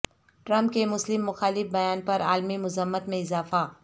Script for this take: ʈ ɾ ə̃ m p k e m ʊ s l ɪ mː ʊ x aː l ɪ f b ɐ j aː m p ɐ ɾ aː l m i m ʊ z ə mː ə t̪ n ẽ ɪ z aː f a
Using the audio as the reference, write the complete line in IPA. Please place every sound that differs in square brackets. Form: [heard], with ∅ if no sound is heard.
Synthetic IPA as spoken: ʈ ɾ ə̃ m p k e m ʊ s l ɪ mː ʊ x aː l ɪ f b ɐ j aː [n] p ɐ ɾ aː l m i m ʊ z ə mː ə t̪ [m] ẽ ɪ z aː f a